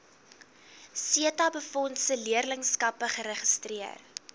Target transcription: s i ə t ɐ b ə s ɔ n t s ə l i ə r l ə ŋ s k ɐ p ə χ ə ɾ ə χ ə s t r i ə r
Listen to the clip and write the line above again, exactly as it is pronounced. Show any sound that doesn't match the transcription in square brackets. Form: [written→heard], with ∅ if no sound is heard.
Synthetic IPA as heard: s i ə t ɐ b ə [s→f] ɔ n t s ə l i ə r l ə ŋ s k ɐ p ə χ ə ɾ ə χ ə s t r i ə r